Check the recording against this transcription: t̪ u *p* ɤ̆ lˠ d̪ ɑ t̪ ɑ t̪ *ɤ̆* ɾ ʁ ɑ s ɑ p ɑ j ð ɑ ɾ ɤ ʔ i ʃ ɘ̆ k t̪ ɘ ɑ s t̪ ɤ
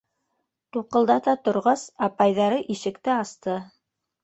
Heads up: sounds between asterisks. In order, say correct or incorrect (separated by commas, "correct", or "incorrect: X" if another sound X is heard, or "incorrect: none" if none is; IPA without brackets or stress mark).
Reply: incorrect: q, incorrect: ŏ